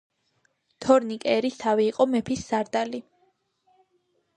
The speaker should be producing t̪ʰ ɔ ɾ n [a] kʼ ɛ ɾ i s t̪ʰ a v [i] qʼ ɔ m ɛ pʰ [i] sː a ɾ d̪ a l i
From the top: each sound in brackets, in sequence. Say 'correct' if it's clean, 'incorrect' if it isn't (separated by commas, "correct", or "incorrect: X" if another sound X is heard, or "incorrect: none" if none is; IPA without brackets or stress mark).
incorrect: i, incorrect: iː, correct